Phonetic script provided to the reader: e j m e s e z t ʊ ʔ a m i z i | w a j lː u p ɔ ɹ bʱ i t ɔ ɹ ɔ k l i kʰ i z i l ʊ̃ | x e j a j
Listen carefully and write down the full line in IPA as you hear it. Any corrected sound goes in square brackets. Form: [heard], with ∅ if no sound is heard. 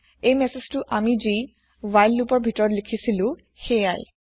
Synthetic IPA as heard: e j m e s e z t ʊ ʔ a m i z i | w a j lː u p ɔ ɹ bʱ i t ɔ ɹ ɔ [t] l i kʰ i [s] i l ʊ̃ | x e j a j